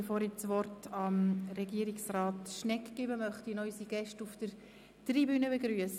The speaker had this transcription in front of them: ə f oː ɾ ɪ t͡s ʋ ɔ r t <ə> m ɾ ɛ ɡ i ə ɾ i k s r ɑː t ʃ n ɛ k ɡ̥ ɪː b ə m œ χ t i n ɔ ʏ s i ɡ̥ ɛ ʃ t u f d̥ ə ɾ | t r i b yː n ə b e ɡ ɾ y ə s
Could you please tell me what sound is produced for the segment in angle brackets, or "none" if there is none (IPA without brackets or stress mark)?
ɑ